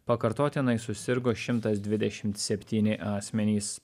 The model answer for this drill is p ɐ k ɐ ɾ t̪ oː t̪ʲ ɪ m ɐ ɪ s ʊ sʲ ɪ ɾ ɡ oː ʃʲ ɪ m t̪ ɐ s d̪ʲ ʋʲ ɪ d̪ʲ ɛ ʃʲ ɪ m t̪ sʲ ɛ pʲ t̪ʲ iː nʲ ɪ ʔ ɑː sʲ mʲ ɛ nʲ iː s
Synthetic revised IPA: p ɐ k ɐ ɾ t̪ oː t̪ʲ ɪ n ɐ ɪ s ʊ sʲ ɪ ɾ ɡ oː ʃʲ ɪ m t̪ ɐ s d̪ʲ ʋʲ ɪ d̪ʲ ɛ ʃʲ ɪ m t̪ sʲ ɛ pʲ t̪ʲ iː nʲ ɪ ʔ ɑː sʲ mʲ ɛ nʲ iː s